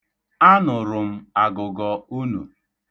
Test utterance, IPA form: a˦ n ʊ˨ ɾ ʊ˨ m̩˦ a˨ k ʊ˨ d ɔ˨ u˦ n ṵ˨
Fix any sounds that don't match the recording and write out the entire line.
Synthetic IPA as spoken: a˦ n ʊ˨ ɾ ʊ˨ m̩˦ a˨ ɡ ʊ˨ ɡ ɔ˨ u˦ n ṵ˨